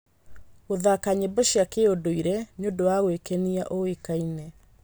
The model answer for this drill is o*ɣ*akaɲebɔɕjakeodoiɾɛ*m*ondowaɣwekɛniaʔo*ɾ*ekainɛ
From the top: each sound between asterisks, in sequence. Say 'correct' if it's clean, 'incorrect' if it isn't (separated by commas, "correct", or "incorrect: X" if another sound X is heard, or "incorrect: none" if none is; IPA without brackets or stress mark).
incorrect: ð, incorrect: ɲ, incorrect: none